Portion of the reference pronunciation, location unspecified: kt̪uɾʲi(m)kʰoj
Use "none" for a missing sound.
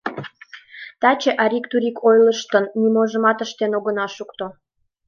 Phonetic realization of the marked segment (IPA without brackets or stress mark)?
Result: none